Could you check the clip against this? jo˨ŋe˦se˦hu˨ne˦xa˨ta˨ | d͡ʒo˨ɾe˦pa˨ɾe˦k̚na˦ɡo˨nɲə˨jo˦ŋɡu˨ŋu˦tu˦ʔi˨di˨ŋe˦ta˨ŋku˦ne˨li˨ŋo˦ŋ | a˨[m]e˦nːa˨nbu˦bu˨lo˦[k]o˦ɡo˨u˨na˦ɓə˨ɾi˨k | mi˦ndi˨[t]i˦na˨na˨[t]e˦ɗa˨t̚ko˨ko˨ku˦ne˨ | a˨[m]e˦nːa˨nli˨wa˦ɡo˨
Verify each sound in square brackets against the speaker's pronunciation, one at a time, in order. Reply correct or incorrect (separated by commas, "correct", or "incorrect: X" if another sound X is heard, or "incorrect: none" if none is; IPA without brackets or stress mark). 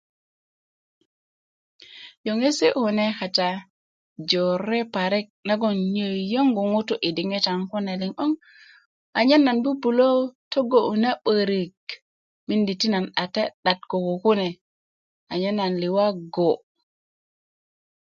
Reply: incorrect: ɲ, incorrect: t, correct, correct, incorrect: ɲ